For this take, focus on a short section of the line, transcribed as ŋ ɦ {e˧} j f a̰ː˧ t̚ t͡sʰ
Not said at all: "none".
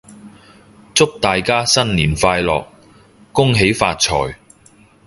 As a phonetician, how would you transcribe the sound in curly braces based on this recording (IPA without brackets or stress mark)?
e˨˥